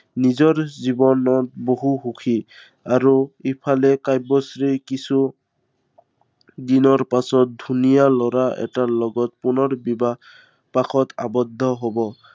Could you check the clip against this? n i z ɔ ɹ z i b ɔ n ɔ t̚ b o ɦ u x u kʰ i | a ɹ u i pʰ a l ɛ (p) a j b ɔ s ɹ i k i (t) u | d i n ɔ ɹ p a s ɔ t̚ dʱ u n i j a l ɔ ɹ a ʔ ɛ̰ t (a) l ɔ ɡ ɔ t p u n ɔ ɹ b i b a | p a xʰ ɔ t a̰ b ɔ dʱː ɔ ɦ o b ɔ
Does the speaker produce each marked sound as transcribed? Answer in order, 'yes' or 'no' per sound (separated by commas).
no, no, yes